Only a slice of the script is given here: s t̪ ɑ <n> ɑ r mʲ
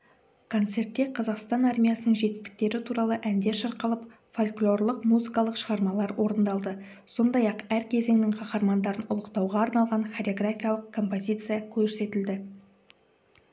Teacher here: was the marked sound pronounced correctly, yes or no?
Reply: yes